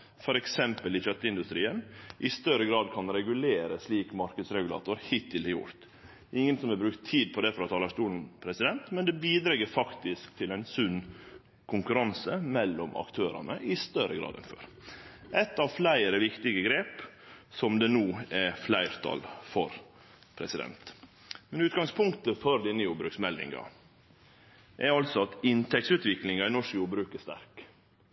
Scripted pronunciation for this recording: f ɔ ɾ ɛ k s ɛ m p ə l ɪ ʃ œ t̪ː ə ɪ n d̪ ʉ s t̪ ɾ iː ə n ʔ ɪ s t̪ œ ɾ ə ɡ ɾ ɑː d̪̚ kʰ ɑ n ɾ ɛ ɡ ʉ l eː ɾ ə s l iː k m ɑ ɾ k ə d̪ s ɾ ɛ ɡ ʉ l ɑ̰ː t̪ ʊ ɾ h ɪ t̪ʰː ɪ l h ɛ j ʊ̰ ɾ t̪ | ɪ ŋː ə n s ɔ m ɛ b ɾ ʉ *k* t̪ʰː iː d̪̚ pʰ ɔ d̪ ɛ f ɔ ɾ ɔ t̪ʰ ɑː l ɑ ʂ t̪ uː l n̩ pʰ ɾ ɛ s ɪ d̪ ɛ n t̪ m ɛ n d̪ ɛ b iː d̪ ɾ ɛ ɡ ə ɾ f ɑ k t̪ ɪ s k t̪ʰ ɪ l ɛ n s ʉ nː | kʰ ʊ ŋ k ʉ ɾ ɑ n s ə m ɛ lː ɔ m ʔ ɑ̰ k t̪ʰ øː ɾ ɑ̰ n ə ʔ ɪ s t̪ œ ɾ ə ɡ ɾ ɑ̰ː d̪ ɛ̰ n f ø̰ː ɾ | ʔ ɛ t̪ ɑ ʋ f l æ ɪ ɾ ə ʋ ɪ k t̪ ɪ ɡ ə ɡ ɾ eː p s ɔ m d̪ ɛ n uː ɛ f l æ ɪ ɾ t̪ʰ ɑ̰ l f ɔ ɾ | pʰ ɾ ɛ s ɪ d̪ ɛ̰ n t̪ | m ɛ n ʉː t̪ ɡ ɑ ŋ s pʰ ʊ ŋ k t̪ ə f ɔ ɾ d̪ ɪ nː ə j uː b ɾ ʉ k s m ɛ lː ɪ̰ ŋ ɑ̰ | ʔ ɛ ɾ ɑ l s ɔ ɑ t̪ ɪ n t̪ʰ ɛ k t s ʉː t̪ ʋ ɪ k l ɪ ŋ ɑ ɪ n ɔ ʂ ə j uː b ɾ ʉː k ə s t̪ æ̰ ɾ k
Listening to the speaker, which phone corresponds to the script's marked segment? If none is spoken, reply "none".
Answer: k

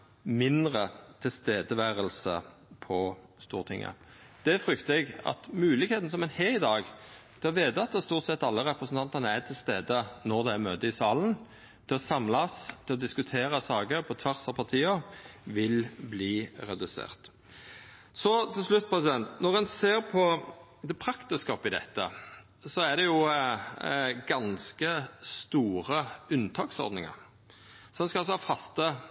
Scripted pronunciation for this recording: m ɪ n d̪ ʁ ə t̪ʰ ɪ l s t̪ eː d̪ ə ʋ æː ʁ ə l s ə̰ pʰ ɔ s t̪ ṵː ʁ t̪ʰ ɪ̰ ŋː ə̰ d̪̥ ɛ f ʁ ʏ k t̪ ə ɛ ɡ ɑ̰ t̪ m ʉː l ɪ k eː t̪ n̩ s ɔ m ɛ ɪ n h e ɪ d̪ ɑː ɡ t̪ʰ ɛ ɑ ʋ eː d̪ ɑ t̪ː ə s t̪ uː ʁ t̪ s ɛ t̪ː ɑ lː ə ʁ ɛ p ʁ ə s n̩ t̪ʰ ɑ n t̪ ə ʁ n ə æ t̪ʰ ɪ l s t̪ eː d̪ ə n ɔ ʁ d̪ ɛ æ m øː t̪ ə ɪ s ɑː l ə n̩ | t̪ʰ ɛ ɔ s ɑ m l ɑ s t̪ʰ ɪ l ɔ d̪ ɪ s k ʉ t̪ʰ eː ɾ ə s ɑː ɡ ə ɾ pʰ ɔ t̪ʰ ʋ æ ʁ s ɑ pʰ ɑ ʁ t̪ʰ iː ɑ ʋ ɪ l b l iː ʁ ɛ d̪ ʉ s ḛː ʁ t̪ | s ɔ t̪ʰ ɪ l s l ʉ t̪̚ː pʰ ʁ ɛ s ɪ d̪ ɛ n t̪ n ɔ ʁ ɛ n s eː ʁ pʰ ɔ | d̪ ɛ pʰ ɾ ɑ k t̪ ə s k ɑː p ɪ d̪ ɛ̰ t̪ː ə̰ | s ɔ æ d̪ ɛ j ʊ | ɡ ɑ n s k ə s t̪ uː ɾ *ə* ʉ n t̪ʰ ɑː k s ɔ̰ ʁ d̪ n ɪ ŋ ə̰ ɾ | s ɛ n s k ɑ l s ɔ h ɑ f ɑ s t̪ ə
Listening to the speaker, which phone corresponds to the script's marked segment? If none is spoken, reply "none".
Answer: ə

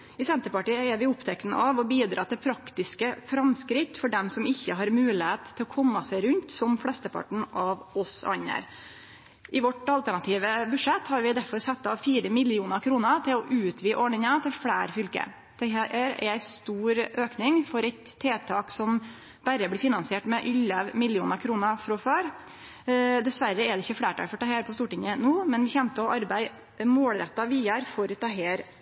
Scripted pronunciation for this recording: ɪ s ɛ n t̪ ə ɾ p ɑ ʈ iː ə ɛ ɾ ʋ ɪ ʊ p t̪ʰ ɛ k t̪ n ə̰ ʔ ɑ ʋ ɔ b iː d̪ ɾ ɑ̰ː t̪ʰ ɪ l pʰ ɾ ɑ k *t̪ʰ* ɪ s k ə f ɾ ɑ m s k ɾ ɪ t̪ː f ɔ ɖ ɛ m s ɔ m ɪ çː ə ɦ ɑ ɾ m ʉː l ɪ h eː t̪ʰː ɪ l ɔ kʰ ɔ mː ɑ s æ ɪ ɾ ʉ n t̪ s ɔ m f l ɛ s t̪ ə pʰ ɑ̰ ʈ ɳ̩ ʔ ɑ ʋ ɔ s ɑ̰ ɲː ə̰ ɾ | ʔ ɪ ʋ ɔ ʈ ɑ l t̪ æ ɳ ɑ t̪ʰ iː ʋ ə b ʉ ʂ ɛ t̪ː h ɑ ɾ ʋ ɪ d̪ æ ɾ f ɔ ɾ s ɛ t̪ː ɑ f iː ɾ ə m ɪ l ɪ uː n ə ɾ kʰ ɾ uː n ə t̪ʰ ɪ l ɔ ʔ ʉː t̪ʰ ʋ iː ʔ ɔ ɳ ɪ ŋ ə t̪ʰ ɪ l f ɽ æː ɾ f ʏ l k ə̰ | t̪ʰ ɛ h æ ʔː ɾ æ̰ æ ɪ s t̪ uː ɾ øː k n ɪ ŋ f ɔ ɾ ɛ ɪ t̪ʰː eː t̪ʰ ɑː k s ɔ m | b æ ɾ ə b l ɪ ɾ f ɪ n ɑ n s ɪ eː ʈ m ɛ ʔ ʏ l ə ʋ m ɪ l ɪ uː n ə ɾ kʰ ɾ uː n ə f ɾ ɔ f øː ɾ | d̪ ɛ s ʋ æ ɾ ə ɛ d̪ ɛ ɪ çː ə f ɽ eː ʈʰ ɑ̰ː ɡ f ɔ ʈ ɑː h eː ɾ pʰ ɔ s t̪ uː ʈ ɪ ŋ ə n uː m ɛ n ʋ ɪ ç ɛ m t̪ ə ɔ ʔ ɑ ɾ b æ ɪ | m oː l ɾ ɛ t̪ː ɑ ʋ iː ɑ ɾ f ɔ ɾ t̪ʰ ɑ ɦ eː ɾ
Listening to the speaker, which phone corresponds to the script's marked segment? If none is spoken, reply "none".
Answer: t̪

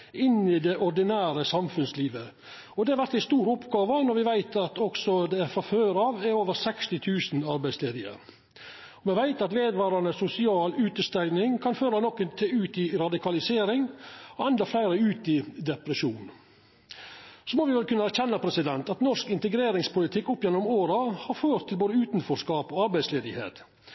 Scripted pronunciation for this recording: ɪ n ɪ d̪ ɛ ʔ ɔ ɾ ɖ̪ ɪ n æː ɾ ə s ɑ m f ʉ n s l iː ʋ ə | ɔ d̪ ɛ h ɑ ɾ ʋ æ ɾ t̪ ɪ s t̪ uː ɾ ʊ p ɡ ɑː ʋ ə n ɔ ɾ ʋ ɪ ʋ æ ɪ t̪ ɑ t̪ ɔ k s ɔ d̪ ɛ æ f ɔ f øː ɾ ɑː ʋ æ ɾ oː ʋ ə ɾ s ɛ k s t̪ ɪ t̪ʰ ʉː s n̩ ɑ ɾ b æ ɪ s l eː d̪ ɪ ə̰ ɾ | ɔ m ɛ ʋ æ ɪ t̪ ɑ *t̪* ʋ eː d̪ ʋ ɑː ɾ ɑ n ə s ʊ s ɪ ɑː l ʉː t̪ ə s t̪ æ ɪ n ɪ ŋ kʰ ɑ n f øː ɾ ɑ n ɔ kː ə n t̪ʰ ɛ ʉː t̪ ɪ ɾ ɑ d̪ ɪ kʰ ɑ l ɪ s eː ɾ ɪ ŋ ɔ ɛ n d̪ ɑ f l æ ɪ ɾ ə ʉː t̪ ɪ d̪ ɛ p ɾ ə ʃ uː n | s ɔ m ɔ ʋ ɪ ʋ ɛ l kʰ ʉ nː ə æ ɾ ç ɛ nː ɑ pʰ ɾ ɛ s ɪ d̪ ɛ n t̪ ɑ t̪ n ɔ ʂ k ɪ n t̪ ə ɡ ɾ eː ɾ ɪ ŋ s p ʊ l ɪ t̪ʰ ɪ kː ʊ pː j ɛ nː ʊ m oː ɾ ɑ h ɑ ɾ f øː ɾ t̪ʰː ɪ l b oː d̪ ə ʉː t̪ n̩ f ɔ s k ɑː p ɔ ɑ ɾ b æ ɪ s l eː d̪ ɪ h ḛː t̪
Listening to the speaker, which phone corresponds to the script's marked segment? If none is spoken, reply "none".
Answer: t̪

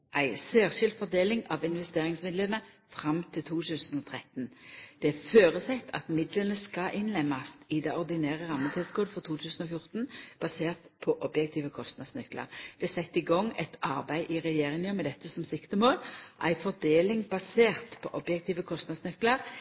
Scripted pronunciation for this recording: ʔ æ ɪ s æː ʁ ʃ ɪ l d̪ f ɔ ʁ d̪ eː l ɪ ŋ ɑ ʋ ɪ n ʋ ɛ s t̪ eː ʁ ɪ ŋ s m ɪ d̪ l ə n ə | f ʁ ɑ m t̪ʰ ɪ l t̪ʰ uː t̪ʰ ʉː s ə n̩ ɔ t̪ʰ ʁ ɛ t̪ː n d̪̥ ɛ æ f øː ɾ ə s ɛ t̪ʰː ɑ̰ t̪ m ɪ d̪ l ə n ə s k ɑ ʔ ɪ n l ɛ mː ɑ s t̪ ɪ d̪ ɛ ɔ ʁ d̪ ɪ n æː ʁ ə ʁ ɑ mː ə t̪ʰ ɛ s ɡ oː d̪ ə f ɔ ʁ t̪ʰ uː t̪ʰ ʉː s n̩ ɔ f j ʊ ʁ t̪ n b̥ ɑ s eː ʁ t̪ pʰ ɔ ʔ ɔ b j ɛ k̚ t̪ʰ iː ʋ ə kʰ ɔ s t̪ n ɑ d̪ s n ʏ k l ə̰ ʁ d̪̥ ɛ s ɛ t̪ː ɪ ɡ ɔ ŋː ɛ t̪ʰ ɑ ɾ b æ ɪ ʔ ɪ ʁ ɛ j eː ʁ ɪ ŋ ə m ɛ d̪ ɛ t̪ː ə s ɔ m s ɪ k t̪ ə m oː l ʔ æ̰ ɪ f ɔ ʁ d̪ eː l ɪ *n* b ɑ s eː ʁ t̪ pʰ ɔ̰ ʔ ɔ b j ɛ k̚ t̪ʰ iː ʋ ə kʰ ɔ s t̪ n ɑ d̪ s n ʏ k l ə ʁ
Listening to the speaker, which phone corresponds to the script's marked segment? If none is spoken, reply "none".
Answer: ŋ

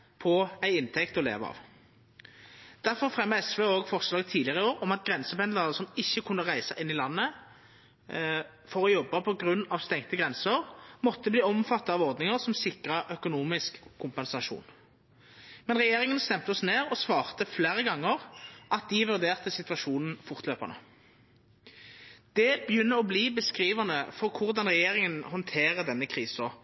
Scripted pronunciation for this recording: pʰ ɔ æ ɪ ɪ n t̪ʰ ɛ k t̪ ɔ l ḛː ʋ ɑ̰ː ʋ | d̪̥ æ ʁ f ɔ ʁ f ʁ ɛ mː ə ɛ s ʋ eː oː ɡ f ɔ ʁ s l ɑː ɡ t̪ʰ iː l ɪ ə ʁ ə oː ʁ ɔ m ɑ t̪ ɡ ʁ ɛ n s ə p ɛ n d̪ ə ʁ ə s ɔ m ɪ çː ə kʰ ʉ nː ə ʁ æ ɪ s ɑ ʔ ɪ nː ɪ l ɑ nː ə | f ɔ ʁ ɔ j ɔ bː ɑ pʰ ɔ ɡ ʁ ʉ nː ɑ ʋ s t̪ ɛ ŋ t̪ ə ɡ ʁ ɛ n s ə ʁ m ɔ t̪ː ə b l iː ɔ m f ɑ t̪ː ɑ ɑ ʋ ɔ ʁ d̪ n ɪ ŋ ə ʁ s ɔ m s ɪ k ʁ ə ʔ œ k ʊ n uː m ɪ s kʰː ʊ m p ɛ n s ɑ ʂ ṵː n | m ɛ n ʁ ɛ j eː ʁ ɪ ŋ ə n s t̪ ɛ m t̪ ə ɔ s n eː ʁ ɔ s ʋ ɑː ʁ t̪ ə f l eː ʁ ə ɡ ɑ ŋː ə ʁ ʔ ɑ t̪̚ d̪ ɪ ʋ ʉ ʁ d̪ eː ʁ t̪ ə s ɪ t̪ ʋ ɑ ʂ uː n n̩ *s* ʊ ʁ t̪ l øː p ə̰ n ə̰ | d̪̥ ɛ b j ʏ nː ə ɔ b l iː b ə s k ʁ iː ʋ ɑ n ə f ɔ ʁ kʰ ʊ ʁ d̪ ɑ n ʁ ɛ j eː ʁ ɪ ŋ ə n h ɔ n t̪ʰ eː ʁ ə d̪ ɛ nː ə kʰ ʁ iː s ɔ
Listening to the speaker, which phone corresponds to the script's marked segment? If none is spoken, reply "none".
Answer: f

